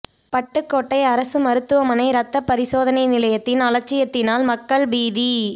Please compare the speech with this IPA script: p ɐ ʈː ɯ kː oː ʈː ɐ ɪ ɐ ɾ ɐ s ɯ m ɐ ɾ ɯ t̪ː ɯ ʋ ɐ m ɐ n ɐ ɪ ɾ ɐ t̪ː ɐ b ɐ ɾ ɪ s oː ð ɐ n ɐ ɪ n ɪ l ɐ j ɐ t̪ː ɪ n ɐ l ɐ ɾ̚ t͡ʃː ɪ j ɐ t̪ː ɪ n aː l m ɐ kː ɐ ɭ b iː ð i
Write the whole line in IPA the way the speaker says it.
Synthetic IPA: p ɐ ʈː ɯ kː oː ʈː ɐ ɪ ɐ ɾ ɐ s ɯ m ɐ ɾ ɯ t̪ː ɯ ʋ ɐ m ɐ n ɐ ɪ ɾ ɐ t̪ː ɐ p ɐ ɾ ɪ s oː ð ɐ n ɐ ɪ n ɪ l ɐ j ɐ t̪ː ɪ n ɐ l ɐ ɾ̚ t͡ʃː ɪ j ɐ t̪ː ɪ n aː l m ɐ kː ɐ ɭ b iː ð i

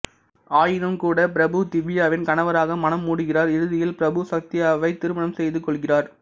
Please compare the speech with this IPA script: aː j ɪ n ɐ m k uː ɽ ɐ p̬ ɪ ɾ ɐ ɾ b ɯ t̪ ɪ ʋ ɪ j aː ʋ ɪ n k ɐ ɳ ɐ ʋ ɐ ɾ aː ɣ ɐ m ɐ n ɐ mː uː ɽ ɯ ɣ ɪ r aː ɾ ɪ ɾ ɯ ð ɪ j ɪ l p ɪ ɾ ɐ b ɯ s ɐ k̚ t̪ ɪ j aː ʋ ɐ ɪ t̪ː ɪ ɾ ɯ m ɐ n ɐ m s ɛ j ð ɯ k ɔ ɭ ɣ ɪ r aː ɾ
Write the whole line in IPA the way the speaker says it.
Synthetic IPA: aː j ɪ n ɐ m k uː ɽ ɐ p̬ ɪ ɾ ɐ b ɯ t̪ ɪ ʋ ɪ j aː ʋ ɪ n k ɐ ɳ ɐ ʋ ɐ ɾ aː ɣ ɐ m ɐ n ɐ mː uː ɽ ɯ ɣ ɪ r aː ɾ ɪ ɾ ɯ ð ɪ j ɪ l p ɪ ɾ ɐ b ɯ s ɐ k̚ t̪ ɪ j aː ʋ ɐ ɪ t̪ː ɪ ɾ ɯ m ɐ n ɐ m s ɛ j ð ɯ k ɔ ɭ ɣ ɪ r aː ɾ

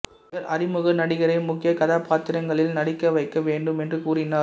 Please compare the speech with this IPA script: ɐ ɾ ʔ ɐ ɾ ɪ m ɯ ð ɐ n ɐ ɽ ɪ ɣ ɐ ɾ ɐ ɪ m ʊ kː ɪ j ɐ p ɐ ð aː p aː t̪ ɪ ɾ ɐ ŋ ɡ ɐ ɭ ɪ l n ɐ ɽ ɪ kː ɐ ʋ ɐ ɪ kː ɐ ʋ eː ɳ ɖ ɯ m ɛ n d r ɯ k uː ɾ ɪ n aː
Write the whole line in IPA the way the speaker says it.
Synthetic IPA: ɐ ɾ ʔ ɐ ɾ ɪ m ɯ ɣ ɐ n ɐ ɽ ɪ ɣ ɐ ɾ ɐ ɪ m ʊ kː ɪ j ɐ k ɐ ð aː p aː t̪ ɪ ɾ ɐ ŋ ɡ ɐ ɭ ɪ l n ɐ ɽ ɪ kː ɐ ʋ ɐ ɪ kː ɐ ʋ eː ɳ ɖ ɯ m ɛ n d r ɯ k uː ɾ ɪ n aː

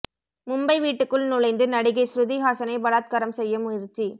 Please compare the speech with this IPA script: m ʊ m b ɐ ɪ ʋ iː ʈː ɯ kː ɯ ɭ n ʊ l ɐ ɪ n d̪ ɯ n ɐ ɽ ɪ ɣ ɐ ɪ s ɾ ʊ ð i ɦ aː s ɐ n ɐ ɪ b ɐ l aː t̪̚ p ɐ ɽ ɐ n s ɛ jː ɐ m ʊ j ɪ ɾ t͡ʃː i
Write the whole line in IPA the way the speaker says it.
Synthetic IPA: m ʊ m b ɐ ɪ ʋ iː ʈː ɯ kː ɯ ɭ n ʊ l ɐ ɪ n d̪ ɯ n ɐ ɽ ɪ ɣ ɐ ɪ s ɾ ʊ ð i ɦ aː s ɐ n ɐ ɪ b ɐ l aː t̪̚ k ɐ ɾ ɐ m s ɛ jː ɐ m ʊ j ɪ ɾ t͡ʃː i

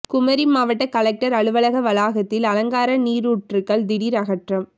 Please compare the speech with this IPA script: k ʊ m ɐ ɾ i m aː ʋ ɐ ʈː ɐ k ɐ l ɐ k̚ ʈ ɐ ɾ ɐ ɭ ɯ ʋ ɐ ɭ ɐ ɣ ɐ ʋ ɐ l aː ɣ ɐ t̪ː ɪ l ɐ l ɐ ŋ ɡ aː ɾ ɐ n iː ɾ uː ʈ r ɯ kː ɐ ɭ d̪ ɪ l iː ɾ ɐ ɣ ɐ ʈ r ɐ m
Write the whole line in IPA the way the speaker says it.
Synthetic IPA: k ʊ m ɐ ɾ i m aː ʋ ɐ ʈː ɐ k ɐ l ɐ k̚ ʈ ɐ ɾ ɐ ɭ ɯ ʋ ɐ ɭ ɐ ɣ ɐ ʋ ɐ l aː ɣ ɐ t̪ː ɪ l ɐ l ɐ ŋ ɡ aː ɾ ɐ n iː ɾ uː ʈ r ɯ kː ɐ ɭ d̪ ɪ ɽ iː ɾ ɐ ɣ ɐ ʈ r ɐ m

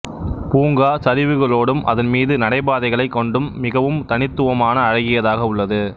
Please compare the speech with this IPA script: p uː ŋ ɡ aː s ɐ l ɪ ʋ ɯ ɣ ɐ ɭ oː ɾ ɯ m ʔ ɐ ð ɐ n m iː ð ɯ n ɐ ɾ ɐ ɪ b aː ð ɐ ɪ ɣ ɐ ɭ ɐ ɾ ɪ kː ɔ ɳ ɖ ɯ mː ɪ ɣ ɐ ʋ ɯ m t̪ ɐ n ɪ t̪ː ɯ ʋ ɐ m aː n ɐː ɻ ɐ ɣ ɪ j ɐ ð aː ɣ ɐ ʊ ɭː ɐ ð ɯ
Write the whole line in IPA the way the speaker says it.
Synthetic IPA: p uː ŋ ɡ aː s ɐ ɾ ɪ ʋ ɯ ɣ ɐ ɭ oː ɽ ɯ m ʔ ɐ ð ɐ n m iː ð ɯ n ɐ ɽ ɐ ɪ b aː ð ɐ ɪ ɣ ɐ ɭ ɐ ɪ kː ɔ ɳ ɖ ɯ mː ɪ ɣ ɐ ʋ ɯ m t̪ ɐ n ɪ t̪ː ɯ ʋ ɐ m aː n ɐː ɻ ɐ ɣ ɪ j ɐ ð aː ɣ ɐ ʊ ɭː ɐ ð ɯ

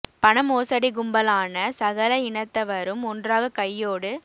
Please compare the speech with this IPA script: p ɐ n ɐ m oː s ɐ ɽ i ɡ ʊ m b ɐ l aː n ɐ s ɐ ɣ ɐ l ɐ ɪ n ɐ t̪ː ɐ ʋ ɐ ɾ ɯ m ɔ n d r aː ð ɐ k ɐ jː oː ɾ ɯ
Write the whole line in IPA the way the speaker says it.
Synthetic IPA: p ɐ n ɐ m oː s ɐ ɽ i ɡ ʊ m b ɐ l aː n ɐ s ɐ ɣ ɐ l ɐ ɪ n ɐ t̪ː ɐ ʋ ɐ ɾ ɯ m ɔ n d r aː ɣ ɐ k ɐ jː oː ɽ ɯ

